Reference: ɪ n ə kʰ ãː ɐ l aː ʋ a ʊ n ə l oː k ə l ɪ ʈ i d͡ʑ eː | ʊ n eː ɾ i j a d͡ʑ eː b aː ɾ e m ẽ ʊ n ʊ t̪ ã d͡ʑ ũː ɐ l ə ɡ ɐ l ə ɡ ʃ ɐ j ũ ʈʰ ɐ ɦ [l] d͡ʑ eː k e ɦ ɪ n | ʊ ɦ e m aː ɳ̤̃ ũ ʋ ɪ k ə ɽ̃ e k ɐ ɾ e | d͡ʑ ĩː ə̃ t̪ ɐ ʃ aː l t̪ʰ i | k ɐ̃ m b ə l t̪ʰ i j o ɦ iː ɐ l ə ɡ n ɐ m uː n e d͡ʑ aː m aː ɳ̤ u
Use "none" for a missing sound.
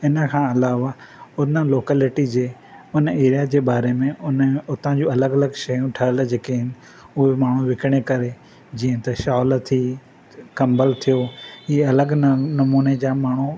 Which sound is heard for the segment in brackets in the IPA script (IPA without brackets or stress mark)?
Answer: l